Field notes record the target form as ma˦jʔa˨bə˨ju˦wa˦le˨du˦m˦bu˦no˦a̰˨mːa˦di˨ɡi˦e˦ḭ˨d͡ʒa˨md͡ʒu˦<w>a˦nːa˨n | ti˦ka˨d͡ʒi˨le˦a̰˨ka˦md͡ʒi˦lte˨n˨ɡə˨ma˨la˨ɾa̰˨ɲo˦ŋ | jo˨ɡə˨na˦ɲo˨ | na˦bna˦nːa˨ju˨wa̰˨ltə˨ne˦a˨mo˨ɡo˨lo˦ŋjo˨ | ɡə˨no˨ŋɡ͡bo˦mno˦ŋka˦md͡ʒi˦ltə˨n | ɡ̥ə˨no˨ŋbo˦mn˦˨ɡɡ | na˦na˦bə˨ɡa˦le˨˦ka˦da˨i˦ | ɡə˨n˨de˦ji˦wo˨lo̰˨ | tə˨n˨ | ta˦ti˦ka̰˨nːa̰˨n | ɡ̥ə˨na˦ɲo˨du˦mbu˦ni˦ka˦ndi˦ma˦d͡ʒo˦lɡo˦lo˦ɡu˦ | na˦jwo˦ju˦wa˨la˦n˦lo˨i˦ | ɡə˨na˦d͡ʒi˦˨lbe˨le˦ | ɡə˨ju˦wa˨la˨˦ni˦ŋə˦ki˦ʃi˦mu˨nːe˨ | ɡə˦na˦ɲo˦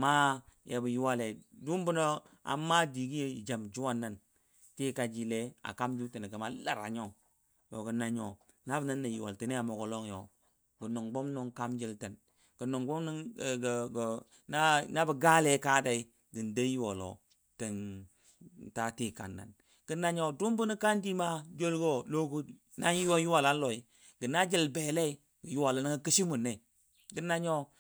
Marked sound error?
no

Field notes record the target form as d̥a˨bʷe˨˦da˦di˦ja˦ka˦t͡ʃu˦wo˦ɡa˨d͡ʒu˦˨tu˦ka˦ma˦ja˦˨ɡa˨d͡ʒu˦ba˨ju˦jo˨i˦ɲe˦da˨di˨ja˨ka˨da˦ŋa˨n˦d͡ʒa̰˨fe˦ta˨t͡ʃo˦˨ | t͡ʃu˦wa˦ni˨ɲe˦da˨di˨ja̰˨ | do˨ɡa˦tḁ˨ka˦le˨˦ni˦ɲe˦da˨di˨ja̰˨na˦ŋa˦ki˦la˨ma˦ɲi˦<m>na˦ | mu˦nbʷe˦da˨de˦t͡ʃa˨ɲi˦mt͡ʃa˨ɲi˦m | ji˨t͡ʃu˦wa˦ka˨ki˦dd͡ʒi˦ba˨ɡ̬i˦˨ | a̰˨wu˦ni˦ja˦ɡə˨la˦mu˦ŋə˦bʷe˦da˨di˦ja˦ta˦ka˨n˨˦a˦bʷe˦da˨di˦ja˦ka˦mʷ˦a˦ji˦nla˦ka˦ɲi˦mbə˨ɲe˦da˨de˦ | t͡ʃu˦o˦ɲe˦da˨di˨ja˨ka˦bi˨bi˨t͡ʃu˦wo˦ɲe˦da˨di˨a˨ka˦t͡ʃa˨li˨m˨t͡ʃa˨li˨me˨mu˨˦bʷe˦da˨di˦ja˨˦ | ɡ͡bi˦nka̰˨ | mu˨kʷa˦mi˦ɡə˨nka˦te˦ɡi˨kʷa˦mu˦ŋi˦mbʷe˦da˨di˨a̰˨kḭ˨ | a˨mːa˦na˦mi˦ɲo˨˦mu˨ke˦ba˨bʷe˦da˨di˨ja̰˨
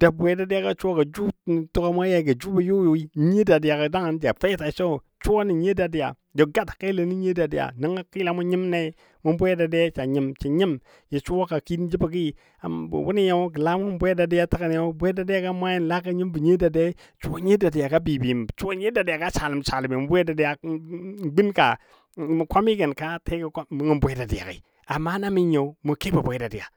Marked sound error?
no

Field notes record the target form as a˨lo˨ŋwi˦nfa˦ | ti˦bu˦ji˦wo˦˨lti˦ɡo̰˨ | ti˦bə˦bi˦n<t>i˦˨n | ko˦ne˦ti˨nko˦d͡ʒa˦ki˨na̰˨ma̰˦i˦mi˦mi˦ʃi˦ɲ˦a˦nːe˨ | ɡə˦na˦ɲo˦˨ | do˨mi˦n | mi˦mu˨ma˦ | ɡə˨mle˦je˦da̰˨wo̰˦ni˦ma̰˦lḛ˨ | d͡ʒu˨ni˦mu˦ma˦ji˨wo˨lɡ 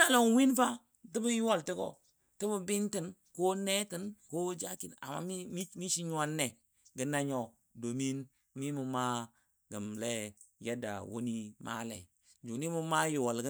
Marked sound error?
no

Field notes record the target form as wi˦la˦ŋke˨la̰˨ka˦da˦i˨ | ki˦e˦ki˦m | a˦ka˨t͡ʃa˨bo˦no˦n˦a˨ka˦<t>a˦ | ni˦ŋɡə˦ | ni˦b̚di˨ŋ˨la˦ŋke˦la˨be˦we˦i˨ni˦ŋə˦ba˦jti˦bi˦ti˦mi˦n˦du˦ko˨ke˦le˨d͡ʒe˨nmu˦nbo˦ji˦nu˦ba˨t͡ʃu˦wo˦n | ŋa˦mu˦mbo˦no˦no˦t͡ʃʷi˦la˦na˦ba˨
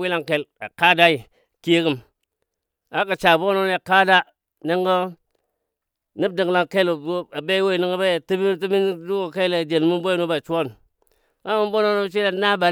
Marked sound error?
yes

